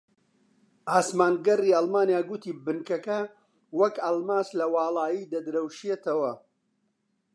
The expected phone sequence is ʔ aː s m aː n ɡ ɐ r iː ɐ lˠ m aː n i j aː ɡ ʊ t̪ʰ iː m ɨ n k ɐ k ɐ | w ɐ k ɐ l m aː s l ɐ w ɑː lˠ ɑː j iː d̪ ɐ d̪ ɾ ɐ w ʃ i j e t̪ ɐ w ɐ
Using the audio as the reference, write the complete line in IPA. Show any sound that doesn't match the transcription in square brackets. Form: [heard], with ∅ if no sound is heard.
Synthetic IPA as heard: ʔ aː s m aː n ɡ ɐ r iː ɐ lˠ m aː n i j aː ɡ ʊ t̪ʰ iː [b] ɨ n k ɐ k ɐ | w ɐ k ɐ l m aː s l ɐ w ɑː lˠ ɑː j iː d̪ ɐ d̪ ɾ ɐ w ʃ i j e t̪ ɐ w ɐ